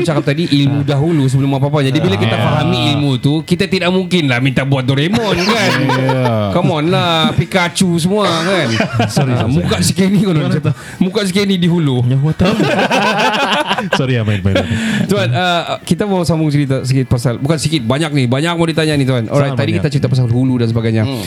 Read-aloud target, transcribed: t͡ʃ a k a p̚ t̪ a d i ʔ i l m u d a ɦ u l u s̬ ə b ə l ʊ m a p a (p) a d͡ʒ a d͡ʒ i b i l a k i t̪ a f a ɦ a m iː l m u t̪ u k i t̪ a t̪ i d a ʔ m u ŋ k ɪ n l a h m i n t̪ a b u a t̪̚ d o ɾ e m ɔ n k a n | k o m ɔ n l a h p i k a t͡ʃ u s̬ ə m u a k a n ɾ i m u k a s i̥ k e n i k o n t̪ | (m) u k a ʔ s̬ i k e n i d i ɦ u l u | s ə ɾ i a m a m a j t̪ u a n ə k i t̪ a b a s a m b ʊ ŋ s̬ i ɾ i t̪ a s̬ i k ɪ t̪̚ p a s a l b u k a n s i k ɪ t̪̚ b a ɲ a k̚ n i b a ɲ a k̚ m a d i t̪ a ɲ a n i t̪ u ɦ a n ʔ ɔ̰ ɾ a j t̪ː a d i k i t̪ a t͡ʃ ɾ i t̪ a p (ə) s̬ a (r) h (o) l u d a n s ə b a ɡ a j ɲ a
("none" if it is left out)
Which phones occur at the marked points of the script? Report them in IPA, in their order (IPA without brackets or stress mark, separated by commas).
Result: p, m, a, l, u